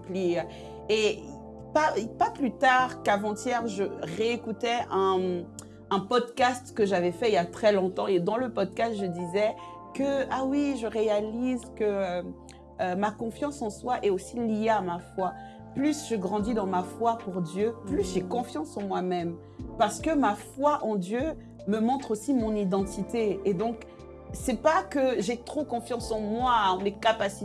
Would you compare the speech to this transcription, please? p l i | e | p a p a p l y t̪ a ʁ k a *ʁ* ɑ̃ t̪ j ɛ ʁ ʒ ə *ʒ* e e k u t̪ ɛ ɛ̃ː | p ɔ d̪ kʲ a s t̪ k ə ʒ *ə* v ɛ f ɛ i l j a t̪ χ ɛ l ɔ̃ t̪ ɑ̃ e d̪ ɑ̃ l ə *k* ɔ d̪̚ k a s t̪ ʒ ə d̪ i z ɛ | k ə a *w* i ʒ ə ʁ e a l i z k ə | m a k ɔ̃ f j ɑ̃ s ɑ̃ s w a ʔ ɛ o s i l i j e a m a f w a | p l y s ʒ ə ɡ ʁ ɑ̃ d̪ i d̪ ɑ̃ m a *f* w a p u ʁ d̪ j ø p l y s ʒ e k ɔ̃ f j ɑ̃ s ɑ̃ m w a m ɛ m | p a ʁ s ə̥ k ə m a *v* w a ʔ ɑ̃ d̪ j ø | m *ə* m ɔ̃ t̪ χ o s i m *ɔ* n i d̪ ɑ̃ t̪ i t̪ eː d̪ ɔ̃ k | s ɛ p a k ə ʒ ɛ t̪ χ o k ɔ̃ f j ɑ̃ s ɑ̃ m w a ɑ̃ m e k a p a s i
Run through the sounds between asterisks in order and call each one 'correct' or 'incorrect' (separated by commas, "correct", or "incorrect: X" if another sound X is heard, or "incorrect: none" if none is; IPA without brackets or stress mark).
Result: incorrect: v, incorrect: ʁ, incorrect: a, incorrect: p, correct, correct, incorrect: f, correct, incorrect: ɔ̃